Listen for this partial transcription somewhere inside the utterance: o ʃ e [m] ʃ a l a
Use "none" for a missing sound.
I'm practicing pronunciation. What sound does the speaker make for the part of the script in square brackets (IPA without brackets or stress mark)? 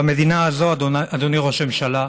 m